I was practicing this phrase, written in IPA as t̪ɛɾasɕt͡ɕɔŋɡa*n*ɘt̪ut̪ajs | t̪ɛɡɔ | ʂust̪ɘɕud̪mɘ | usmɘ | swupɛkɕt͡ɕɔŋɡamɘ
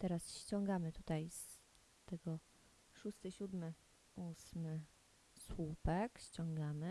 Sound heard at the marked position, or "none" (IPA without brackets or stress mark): m